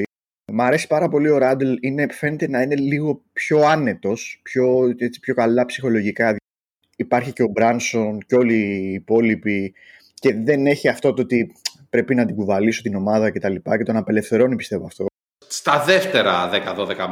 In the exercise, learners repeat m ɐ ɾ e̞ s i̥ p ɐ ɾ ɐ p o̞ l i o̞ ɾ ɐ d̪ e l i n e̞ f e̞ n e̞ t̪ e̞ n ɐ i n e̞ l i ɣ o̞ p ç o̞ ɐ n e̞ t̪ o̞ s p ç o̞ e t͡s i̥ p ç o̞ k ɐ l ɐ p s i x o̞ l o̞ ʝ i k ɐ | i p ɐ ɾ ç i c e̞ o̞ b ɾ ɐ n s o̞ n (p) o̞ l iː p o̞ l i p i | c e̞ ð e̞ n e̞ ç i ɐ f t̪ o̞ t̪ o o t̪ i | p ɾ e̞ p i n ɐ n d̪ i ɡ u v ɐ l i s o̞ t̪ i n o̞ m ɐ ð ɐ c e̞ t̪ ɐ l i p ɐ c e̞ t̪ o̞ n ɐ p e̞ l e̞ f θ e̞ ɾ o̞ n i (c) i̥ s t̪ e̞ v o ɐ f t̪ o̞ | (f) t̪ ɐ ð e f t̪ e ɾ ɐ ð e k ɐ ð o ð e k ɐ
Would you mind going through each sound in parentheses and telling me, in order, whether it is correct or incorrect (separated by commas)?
incorrect, incorrect, incorrect